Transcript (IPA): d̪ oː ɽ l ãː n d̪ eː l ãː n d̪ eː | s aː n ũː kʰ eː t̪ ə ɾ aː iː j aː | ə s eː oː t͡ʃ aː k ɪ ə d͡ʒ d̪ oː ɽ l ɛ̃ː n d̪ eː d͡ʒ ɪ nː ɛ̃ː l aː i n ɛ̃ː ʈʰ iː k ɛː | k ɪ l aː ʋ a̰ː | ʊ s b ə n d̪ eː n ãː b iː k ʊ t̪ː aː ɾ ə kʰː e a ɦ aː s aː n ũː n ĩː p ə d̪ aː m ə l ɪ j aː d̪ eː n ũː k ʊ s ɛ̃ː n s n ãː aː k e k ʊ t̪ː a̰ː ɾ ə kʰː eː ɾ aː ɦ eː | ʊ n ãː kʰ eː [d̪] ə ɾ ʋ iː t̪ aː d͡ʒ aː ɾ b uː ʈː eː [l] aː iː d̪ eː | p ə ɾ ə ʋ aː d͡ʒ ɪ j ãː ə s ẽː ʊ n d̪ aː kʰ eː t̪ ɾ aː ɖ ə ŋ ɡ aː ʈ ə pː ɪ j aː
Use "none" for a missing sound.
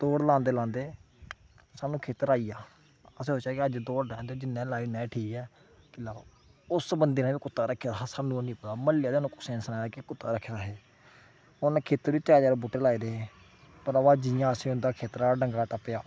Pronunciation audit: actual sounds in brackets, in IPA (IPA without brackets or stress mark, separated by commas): t̪, l